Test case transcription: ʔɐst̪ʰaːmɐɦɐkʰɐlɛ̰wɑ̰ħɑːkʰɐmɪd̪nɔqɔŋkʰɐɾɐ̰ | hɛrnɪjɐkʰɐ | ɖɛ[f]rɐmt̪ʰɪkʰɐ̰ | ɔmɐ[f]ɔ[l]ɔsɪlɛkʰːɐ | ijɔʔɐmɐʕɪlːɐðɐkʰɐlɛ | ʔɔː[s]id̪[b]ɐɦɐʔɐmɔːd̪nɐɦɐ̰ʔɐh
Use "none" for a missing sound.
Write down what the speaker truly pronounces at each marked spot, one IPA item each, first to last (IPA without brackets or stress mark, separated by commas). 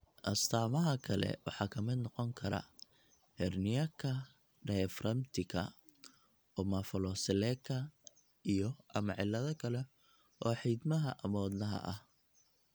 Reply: f, f, l, ħ, m